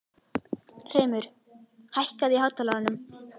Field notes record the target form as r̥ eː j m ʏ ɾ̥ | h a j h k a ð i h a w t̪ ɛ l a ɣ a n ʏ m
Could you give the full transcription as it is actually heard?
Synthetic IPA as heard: r̥ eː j m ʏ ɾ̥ | h a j h k a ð i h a w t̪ a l a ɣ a n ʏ m

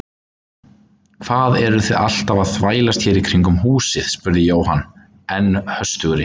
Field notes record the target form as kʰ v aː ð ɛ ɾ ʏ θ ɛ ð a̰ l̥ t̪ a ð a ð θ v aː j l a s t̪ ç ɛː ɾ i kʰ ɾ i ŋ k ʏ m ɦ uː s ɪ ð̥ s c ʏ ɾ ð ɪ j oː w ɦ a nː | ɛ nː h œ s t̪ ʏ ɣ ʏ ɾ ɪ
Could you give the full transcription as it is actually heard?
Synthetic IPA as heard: kʰ v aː ð ɛ ɾ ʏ θ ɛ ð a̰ l̥ t̪ a v a ð θ v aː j l a s t̪ ç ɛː ɾ i kʰ ɾ i ŋ k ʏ m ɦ uː s ɪ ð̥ s p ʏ ɾ ð ɪ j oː w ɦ a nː | ɛ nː h œ s t̪ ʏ ɣ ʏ ɾ ɪ

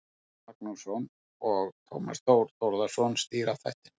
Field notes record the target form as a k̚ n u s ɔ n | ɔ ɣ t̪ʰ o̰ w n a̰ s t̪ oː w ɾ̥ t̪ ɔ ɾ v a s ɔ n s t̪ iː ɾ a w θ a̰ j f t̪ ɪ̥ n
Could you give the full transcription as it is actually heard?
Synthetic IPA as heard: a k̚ n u s ɔ n | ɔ ɣ t̪ʰ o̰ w m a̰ s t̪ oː w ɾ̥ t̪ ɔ ɾ ð a s ɔ n s t̪ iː ɾ a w θ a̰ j h t̪ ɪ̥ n

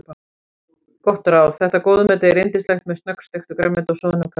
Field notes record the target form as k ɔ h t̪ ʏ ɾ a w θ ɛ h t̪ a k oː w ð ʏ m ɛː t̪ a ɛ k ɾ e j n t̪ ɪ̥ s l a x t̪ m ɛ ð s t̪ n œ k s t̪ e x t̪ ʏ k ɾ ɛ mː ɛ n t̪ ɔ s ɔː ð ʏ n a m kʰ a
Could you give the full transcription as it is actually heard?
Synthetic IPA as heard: k ɔ h t̪ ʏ ɾ a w θ ɛ h t̪ a k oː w ð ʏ m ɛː t̪ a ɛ ɾ e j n t̪ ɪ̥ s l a x t̪ m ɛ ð s t̪ n œ k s t̪ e x t̪ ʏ k ɾ ɛ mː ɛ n t̪ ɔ s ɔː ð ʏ n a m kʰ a

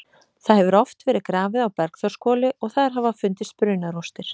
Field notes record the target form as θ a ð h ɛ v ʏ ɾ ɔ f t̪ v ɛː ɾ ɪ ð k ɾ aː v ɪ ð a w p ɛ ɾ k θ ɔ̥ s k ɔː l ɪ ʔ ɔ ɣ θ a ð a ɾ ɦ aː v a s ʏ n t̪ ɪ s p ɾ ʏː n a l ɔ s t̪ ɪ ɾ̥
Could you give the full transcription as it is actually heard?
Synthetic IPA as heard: θ a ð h ɛ v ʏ ɾ ɔ f t̪ v ɛː ɾ ɪ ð k ɾ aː v ɪ ð a w p ɛ ɾ k θ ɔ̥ s k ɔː l ɪ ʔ ɔ ɣ θ a ð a ɾ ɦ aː v a f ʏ n t̪ ɪ s p ɾ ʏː n a ɾ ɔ s t̪ ɪ ɾ̥

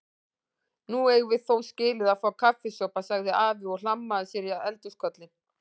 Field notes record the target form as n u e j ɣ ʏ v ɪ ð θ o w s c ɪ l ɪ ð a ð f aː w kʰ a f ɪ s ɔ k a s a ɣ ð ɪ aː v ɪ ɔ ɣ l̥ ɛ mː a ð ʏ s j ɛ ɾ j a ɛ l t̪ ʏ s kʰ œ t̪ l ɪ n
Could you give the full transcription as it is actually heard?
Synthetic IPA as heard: n u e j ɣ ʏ v ɪ ð θ o w s c ɪː l ɪ ð a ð f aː w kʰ a f ɪ s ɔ p a s a ɣ ð ɪ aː v ɪ ɔ ɣ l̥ a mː a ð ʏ s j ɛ ɾ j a ɛ l t̪ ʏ s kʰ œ t̪ l ɪ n

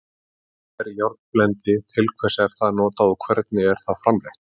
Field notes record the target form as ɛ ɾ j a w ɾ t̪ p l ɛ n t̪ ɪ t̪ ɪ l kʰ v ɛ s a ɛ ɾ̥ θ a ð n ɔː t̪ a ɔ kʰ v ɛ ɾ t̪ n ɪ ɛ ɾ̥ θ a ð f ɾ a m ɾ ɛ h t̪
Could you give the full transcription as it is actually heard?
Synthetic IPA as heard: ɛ ɾ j a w ɾ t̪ p l ɛ n t̪ ɪ t̪ʰ ɪ l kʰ v ɛ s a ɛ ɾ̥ θ a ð n ɔː t̪ a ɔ kʰ v ɛ ɾ t̪ n ɪ ɛ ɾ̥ θ a ð f ɾ a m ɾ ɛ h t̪

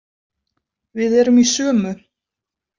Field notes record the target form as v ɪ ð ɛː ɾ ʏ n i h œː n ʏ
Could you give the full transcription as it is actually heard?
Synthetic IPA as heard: v ɪ ð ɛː ɾ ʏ m i s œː m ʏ

